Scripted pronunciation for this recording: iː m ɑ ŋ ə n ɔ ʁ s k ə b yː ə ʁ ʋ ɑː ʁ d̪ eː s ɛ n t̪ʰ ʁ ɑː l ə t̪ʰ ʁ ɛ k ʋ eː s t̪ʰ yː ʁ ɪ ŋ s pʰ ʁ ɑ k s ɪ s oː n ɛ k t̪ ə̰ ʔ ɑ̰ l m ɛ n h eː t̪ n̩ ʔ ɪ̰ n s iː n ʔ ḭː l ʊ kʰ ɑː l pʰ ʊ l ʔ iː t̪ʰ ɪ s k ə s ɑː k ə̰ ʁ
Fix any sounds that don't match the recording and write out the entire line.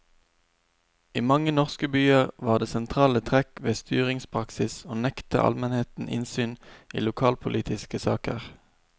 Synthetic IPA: iː m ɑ ŋ ə n ɔ ʁ s k ə b yː ə ʁ ʋ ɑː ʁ d̪ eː s ɛ n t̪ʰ ʁ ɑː l ə t̪ʰ ʁ ɛ k ʋ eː s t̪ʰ yː ʁ ɪ ŋ s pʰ ʁ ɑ k s ɪ s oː n ɛ k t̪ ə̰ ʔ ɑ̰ l m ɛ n h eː t̪ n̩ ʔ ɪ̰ n s yː n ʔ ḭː l ʊ kʰ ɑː l pʰ ʊ l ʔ iː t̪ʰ ɪ s k ə s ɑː k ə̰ ʁ